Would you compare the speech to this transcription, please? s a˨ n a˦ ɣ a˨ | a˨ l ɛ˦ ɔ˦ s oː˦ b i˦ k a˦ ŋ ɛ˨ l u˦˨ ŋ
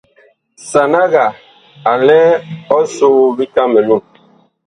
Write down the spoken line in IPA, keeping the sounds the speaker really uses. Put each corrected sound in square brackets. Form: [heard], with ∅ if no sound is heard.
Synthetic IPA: s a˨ n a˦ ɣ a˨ | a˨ l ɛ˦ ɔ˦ s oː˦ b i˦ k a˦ [m] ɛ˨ l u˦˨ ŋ